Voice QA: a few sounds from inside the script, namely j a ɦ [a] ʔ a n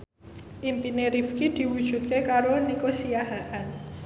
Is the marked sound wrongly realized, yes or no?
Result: no